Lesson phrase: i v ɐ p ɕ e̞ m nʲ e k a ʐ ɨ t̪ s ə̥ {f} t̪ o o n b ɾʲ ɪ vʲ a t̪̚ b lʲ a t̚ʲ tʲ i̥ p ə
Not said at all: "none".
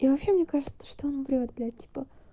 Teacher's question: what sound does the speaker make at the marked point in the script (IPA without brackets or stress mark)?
ʂ